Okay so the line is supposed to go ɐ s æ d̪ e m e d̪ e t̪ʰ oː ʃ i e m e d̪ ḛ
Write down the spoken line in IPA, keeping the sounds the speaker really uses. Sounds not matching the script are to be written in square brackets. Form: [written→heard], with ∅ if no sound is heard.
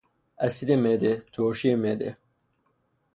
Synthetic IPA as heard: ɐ s [æ→i] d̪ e m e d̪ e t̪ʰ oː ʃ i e m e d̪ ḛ